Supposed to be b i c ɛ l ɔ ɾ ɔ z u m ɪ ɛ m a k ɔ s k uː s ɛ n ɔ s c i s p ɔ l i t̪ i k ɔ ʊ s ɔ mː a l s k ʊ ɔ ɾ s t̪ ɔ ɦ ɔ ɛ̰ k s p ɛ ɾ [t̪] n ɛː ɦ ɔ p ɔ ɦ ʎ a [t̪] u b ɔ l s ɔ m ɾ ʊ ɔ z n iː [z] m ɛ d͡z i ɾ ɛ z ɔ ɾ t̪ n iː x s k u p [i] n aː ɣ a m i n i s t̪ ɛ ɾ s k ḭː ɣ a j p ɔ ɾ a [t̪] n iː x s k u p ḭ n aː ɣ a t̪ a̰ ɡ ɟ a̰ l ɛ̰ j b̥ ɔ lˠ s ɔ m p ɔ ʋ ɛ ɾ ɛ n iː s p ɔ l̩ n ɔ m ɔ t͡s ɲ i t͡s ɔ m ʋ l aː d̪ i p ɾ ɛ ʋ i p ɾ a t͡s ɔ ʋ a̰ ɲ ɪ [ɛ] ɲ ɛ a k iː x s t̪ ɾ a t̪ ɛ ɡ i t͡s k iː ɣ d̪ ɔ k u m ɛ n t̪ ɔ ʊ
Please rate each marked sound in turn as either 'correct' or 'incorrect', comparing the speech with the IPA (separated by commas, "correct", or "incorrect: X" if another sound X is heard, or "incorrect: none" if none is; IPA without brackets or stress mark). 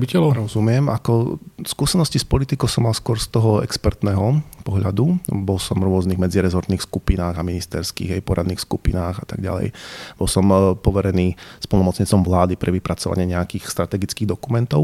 correct, incorrect: d̪, incorrect: ɣ, correct, incorrect: d̪, correct